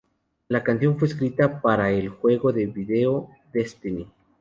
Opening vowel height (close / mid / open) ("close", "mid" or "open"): open